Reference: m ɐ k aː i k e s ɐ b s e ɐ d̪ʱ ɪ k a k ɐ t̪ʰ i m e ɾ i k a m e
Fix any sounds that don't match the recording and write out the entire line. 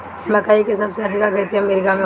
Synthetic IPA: m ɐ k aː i k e s ɐ b s e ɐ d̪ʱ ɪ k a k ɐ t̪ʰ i m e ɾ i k a m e